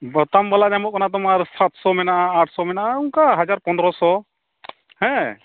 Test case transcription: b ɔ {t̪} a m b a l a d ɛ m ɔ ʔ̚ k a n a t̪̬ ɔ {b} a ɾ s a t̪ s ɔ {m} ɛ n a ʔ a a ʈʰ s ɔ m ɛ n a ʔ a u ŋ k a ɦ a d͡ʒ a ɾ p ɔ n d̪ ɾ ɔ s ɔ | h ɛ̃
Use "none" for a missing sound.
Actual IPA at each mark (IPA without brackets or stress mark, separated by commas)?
t̪, m, m